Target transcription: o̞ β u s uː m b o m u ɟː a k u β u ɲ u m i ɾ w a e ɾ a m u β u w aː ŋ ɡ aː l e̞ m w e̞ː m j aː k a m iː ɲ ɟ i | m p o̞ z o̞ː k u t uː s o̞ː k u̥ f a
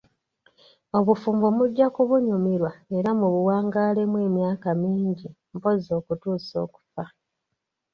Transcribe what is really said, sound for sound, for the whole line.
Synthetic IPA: o̞ β u f uː m b o m u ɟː a k u β u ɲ u m i ɾ w a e ɾ a m u β u w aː ŋ ɡ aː l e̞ m w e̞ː m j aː k a m iː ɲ ɟ i | m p o̞ z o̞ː k u t uː s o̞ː k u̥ f a